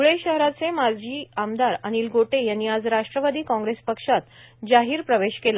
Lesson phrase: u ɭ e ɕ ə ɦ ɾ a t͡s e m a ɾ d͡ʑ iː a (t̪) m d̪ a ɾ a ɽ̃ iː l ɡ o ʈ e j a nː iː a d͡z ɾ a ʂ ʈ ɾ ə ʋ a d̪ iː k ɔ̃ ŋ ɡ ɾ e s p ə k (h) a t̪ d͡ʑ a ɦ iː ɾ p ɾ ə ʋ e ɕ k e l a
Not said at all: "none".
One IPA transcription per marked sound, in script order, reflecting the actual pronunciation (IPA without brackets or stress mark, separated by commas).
none, ʂ